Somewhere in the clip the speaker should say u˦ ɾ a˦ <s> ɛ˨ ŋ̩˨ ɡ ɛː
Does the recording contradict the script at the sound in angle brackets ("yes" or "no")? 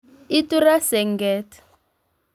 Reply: no